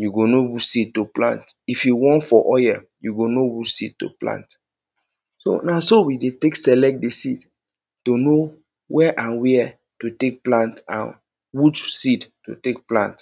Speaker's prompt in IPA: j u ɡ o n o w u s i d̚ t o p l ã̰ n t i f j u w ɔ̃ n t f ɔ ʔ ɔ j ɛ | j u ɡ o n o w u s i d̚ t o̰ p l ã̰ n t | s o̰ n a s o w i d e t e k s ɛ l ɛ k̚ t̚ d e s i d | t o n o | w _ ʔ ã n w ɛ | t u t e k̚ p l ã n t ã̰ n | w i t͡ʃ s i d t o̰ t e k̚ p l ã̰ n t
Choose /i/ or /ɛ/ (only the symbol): ɛ